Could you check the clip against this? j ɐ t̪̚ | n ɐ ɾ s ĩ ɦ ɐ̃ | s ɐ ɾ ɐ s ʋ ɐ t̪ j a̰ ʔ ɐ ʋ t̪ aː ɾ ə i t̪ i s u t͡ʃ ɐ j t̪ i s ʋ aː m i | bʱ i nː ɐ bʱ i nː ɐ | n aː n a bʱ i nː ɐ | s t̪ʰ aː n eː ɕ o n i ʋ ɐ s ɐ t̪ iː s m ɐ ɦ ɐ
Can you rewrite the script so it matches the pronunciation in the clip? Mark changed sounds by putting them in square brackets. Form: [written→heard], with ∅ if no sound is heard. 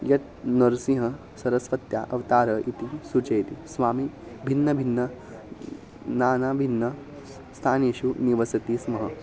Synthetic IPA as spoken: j ɐ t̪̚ | n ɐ ɾ s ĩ ɦ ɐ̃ | s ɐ ɾ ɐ s ʋ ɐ t̪ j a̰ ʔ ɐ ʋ t̪ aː ɾ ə i t̪ i s u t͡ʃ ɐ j t̪ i s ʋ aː m i | bʱ i nː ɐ bʱ i nː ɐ | n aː n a bʱ i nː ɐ | s t̪ʰ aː n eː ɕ [o→u] n i ʋ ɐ s ɐ t̪ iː s m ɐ ɦ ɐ